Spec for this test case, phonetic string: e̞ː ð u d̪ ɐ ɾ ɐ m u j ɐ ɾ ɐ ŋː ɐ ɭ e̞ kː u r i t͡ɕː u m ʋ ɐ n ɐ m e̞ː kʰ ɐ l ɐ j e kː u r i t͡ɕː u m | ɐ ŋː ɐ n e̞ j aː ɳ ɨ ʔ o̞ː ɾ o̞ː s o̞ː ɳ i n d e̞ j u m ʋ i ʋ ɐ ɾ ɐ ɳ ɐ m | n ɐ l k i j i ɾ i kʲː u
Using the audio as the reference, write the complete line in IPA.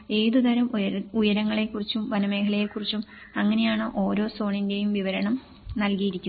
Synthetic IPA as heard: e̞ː ð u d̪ ɐ ɾ ɐ m u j ɐ ɾ ɐ ŋː ɐ ɭ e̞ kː u r i t͡ɕː u m ʋ ɐ n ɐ m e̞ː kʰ ɐ l ɐ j e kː u r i t͡ɕː u m | ɐ ŋː ɐ n e̞ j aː ɳ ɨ ʔ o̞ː ɾ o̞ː s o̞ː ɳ i n d e̞ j u m ʋ i ʋ ɐ ɾ ɐ ɳ ɐ m | n ɐ l k i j i ɾ i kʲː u

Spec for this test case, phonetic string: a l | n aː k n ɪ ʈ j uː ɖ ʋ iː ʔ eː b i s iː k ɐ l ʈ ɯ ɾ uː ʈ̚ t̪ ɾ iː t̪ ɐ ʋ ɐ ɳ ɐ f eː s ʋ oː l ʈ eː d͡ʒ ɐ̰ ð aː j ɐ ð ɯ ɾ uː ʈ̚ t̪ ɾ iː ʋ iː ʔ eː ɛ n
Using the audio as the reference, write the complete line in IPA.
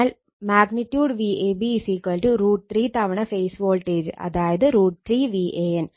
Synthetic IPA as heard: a l | m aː ɡ n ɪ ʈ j uː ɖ ʋ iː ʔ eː b i s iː k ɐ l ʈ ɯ ɾ uː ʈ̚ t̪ ɾ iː t̪ ɐ ʋ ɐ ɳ ɐ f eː s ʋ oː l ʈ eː d͡ʒ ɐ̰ ð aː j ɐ ð ɯ ɾ uː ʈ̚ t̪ ɾ iː ʋ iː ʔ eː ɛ n

